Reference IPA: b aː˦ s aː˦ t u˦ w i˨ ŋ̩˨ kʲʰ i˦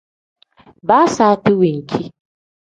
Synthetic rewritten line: b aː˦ s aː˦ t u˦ w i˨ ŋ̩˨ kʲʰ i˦